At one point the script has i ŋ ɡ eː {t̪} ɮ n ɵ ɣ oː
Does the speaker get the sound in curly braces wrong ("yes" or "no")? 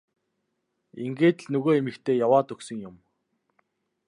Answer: no